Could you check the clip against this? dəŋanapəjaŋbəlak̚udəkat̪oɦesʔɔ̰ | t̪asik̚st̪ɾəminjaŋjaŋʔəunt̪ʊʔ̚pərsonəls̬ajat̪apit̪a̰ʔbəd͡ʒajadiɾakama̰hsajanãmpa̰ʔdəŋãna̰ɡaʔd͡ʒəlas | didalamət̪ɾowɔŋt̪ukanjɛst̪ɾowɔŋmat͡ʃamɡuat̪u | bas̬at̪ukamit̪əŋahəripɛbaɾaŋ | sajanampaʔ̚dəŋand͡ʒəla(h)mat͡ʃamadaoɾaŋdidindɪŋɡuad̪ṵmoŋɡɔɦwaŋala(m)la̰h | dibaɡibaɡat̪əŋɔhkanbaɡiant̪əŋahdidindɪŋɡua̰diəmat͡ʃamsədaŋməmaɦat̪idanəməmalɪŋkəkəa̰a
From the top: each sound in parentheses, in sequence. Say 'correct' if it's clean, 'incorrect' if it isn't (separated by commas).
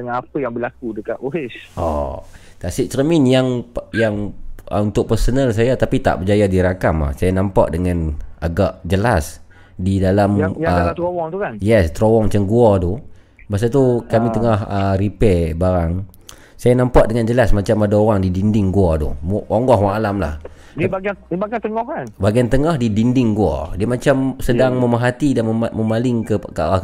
incorrect, correct